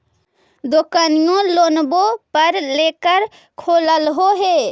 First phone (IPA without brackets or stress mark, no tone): d̪